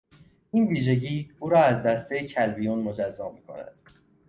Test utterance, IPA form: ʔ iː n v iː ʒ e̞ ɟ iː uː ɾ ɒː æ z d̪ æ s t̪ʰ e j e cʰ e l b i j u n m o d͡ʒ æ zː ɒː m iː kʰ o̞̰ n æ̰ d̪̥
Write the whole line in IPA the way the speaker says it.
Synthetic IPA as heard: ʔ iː n v iː ʒ e̞ ɟ iː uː ɾ ɒː æ z d̪ æ s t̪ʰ e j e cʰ æ l b i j u n m o d͡ʒ æ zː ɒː m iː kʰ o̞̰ n æ̰ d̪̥